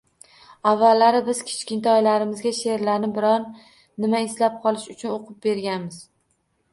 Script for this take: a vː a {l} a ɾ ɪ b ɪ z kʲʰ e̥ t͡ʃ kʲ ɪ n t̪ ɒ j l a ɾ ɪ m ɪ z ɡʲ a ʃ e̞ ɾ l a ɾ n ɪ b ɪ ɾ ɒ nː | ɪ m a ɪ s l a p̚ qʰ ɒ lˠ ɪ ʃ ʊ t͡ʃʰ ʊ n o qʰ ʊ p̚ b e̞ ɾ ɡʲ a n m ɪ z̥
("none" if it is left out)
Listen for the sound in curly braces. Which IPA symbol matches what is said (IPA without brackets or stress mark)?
lː